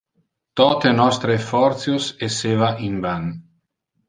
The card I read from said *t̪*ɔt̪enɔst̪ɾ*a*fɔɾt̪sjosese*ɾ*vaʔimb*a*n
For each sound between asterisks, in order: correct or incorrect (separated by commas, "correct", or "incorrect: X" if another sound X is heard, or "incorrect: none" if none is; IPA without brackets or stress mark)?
correct, incorrect: e, incorrect: none, correct